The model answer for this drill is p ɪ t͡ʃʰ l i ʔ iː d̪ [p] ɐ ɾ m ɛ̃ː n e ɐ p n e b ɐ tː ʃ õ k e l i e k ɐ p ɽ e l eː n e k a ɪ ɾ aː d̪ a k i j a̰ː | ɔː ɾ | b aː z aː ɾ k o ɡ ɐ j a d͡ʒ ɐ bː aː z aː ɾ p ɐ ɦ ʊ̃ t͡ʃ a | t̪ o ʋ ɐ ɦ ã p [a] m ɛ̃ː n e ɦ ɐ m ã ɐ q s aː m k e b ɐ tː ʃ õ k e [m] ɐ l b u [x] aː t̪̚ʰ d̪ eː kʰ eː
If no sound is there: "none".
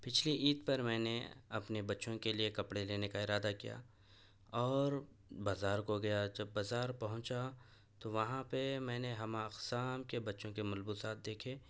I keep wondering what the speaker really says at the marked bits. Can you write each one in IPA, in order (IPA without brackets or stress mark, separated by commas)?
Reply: p, e, m, s